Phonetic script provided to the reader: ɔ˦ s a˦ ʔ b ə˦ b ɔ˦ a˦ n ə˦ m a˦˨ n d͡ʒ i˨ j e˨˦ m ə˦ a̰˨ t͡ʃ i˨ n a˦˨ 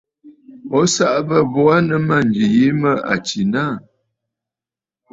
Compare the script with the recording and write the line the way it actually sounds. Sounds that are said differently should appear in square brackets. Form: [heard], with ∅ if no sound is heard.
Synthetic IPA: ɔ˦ s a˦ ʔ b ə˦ b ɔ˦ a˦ n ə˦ m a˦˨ n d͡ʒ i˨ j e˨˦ m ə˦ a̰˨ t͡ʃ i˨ n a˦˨